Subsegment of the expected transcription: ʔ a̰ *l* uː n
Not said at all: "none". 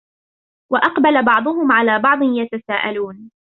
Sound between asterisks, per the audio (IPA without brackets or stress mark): l